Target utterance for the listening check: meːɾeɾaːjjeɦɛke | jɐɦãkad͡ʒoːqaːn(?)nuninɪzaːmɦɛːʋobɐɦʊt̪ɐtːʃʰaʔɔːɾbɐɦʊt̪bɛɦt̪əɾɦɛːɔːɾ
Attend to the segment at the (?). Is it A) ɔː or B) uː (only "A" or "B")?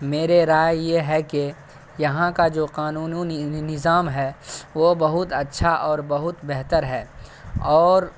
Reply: B